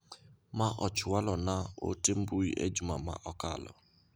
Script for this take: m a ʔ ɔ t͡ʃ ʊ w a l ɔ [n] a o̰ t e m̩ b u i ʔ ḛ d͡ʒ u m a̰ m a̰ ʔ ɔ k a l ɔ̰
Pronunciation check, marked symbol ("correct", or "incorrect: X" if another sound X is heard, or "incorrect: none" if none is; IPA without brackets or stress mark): correct